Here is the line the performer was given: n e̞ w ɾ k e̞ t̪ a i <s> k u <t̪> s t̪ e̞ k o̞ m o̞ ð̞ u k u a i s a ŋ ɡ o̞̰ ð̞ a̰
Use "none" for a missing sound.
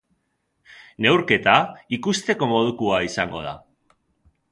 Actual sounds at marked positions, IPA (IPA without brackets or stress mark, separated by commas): none, none